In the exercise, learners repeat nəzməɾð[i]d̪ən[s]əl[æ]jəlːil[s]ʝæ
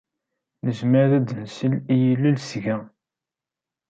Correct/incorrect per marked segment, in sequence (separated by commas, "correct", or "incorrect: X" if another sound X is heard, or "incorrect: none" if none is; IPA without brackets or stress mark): incorrect: æ, correct, incorrect: i, correct